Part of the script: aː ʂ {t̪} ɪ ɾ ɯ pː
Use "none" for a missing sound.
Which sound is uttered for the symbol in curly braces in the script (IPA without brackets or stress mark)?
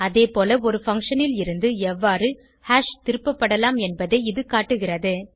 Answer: t̪